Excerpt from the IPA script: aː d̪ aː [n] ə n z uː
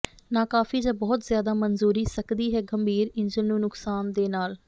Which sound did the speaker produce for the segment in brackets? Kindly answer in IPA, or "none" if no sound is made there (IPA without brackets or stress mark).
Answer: m